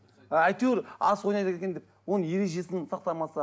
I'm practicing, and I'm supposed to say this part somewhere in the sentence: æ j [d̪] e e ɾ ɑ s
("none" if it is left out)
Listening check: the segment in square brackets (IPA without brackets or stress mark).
t̪